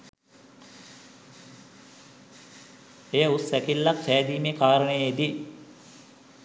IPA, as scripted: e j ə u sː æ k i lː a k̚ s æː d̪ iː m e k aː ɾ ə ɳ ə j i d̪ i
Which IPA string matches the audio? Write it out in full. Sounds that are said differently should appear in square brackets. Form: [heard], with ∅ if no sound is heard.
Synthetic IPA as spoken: e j ə u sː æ k i lː a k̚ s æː d̪ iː m e k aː ɾ ə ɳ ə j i d̪ i